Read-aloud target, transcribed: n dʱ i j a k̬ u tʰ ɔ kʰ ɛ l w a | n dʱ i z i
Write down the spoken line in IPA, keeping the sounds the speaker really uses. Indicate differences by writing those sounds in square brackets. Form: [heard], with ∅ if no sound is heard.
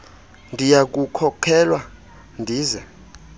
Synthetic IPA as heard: n dʱ i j a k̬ u [kʰ] ɔ kʰ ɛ l w a | n dʱ [iː] z [ɛ]